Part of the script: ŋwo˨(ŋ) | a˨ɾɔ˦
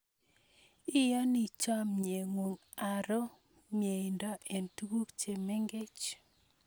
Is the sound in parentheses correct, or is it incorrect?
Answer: correct